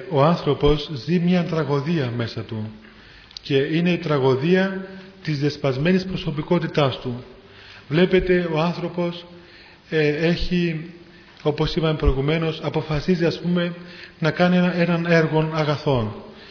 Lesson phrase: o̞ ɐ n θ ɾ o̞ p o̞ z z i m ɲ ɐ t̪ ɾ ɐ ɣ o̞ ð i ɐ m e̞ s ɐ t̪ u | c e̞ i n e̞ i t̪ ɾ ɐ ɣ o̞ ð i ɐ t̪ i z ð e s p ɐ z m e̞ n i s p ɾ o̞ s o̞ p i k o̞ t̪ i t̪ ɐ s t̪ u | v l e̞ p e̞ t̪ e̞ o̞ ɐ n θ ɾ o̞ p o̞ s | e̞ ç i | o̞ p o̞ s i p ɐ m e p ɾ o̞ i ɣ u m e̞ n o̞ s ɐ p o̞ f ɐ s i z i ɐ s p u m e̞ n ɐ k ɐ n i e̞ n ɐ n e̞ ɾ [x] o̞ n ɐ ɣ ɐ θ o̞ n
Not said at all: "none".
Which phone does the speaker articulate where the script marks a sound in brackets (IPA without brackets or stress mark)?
ɣ